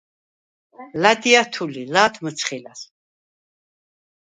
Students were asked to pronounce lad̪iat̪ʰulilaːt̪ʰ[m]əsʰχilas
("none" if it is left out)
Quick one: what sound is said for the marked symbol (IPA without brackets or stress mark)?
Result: m